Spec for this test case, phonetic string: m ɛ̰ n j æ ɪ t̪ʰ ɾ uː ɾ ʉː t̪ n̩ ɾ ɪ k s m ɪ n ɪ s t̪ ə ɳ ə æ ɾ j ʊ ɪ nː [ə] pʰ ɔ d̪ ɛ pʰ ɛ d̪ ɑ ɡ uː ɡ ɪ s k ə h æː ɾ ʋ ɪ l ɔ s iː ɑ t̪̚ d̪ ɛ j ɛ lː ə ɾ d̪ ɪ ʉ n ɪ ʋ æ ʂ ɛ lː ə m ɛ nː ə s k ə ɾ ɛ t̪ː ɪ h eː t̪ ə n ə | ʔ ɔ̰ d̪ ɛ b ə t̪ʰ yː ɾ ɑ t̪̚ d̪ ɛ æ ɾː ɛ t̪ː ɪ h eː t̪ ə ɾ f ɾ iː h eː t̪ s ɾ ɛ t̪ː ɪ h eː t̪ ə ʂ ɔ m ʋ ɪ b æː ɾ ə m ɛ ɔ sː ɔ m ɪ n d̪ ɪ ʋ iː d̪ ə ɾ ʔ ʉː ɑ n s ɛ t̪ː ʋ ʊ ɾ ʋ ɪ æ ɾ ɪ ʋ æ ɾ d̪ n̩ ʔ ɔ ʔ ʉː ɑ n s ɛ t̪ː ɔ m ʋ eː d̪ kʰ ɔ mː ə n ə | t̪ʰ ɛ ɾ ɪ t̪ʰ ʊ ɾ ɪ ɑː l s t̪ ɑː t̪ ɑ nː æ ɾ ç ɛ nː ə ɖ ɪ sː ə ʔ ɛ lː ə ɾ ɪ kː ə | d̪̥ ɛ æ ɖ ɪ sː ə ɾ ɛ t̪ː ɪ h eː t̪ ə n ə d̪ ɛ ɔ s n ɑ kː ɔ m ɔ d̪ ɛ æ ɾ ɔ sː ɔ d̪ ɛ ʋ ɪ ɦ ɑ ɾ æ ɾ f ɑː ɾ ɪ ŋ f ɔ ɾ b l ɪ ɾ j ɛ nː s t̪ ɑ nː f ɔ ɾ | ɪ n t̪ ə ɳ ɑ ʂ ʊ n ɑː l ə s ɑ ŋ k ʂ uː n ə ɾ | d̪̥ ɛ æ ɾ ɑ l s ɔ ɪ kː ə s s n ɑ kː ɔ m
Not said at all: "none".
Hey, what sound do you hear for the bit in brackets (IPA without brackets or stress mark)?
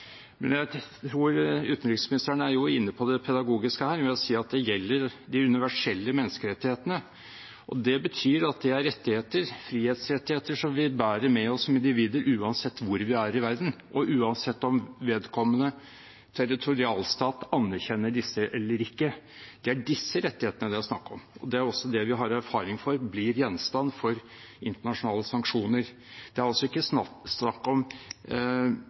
ə